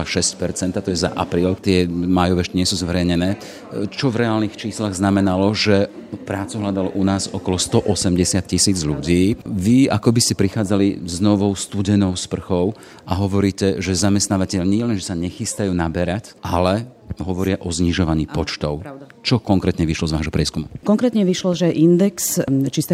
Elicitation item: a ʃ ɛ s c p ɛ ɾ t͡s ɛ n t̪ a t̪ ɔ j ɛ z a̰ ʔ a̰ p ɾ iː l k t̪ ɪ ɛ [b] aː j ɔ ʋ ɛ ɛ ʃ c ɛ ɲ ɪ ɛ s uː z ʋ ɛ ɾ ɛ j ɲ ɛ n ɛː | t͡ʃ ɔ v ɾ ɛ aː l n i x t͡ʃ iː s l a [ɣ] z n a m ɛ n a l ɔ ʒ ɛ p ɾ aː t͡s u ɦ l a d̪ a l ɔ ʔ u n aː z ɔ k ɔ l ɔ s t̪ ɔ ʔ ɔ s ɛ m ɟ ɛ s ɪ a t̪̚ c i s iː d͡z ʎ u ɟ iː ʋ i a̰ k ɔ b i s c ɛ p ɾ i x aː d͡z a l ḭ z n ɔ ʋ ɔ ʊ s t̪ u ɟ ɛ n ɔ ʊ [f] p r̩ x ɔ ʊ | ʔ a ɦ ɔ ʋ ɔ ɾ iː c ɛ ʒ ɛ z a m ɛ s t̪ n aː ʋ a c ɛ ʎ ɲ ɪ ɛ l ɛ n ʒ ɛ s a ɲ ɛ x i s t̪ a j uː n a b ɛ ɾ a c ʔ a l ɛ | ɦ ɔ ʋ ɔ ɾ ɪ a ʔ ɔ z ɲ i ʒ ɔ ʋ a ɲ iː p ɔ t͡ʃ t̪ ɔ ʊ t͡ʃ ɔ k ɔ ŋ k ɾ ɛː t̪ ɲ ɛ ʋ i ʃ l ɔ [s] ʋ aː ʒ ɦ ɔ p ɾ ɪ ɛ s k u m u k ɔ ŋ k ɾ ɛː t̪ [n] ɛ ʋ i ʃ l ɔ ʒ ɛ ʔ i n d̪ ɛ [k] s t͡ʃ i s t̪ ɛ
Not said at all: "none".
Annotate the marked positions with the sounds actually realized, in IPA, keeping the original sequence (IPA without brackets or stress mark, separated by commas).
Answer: m, ɣ, s, z, ɲ, k